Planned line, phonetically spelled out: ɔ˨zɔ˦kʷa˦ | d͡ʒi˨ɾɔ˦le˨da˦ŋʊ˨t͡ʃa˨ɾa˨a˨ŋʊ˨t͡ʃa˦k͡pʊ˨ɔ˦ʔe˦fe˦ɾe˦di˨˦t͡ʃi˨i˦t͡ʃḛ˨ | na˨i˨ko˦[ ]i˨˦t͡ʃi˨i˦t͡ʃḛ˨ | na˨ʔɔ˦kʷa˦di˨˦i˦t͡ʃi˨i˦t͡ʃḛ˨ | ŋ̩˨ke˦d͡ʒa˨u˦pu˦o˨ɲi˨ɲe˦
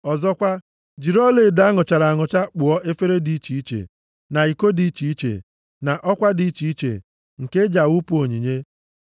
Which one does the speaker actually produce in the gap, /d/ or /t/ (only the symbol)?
d